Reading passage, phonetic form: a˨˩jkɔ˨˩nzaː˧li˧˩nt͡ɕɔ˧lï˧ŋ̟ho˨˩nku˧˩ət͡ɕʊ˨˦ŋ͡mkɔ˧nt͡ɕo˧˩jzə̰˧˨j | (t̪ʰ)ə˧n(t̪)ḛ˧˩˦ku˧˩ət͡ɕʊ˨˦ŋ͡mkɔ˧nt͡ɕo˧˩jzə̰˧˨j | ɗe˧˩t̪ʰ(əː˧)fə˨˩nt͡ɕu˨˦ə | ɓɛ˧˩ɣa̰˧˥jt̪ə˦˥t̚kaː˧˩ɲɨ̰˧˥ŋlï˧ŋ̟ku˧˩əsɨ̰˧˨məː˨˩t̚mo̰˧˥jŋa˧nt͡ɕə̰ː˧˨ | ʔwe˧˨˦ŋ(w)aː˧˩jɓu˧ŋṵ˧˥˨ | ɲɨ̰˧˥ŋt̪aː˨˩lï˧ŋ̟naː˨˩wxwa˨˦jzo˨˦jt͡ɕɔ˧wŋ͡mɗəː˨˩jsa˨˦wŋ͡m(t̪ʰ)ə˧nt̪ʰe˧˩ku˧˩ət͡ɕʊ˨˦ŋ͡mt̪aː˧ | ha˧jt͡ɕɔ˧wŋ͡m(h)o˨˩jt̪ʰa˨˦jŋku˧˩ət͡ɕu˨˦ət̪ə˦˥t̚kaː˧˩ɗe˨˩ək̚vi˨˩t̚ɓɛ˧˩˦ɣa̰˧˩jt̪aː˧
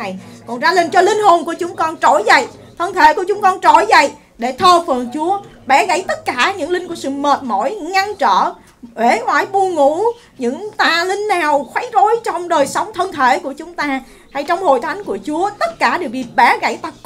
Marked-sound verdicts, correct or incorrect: correct, incorrect: t̪ʰ, correct, correct, correct, correct

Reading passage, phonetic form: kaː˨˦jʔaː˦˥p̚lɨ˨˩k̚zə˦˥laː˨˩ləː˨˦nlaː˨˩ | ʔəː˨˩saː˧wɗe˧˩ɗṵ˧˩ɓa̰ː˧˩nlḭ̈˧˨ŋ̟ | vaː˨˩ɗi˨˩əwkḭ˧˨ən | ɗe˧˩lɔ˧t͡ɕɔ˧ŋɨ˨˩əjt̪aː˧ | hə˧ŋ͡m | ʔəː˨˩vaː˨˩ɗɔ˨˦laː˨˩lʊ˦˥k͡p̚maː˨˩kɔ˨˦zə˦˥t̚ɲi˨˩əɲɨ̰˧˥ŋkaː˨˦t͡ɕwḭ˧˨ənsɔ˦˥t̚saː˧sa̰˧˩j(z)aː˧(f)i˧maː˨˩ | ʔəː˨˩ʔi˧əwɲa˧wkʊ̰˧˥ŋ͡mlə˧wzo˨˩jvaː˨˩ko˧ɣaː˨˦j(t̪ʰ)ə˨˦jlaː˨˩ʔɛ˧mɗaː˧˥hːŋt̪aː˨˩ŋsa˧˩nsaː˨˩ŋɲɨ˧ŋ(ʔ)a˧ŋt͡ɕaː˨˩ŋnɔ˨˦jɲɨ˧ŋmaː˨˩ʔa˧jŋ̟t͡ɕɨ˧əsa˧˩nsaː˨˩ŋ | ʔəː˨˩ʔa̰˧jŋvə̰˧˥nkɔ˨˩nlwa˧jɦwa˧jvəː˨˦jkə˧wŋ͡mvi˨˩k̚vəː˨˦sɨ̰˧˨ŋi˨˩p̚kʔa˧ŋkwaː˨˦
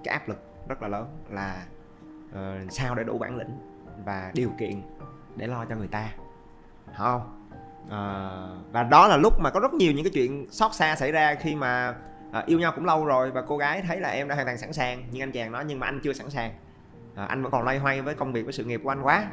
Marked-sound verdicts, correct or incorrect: correct, incorrect: x, correct, correct

